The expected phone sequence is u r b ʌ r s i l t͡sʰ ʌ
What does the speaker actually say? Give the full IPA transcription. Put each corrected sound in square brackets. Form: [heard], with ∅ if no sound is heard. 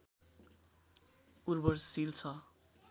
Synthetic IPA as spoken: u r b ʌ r s i l t͡sʰ ʌ